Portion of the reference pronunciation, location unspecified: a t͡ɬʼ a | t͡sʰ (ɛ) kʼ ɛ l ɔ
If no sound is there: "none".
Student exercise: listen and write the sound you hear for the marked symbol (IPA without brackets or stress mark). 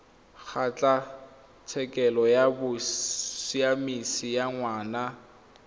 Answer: ɛ